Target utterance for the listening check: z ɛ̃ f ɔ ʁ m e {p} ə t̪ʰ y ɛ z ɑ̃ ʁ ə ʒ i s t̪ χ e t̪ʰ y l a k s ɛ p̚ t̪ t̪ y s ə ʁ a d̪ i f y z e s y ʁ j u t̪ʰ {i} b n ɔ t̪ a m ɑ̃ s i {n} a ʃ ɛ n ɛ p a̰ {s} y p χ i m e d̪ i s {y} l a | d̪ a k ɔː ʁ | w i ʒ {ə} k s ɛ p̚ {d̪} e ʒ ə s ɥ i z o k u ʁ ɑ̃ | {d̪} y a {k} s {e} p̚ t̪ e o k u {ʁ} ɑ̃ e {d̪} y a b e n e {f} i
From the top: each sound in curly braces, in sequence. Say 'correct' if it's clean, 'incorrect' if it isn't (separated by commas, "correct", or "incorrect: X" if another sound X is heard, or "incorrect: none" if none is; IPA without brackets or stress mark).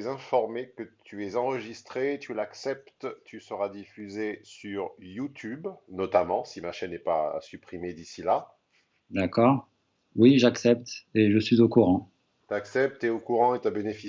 incorrect: k, incorrect: y, incorrect: m, correct, incorrect: i, incorrect: a, incorrect: t̪, incorrect: t̪, correct, incorrect: ɛ, correct, incorrect: t̪, correct